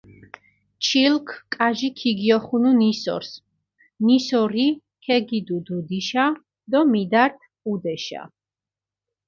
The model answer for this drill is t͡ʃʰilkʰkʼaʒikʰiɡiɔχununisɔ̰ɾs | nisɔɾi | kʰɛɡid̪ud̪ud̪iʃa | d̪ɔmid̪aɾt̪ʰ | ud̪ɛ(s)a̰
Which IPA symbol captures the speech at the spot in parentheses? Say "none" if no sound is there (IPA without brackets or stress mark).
ʃ